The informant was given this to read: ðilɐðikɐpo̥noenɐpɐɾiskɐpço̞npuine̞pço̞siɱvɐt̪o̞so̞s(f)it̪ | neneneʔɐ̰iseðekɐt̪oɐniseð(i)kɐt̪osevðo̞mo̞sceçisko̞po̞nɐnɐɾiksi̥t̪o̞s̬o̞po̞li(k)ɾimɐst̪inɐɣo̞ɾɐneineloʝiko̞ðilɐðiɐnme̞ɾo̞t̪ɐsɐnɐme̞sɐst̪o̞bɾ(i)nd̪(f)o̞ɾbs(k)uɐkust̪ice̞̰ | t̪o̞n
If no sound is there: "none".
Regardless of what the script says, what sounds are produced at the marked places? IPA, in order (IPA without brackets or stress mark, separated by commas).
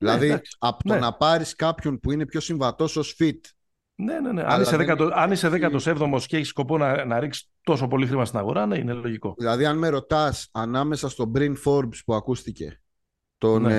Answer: f, e, x, i, f, p